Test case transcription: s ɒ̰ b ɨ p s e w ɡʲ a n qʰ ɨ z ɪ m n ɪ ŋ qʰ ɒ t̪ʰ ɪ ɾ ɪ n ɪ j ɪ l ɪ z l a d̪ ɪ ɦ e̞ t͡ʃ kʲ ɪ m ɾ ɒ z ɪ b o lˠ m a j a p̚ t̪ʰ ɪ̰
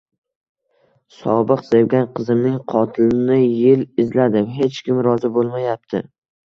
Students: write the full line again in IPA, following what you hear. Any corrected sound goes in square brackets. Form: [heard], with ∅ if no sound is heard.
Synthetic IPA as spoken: s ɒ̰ b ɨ [q] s e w ɡʲ a n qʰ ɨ z ɪ m n ɪ ŋ qʰ ɒ t̪ʰ ɪ [l] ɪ n ɪ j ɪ l ɪ z l a d̪ ɪ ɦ e̞ t͡ʃ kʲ ɪ m ɾ ɒ z ɪ b o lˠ m a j a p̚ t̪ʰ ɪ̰